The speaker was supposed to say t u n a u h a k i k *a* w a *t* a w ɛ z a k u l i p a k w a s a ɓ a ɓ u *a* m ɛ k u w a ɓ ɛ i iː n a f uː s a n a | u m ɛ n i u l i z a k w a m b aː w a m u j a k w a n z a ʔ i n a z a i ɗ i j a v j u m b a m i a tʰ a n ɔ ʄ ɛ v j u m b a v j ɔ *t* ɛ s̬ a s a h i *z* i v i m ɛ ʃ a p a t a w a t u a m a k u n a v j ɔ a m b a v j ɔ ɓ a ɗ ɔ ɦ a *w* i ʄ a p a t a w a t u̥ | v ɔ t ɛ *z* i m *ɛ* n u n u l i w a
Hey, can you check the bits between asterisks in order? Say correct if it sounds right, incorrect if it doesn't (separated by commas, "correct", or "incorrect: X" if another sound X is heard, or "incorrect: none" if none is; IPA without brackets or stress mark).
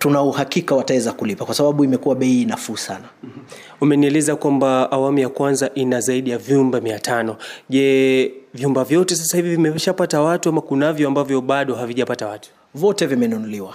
correct, correct, incorrect: i, correct, incorrect: v, incorrect: v, incorrect: v, correct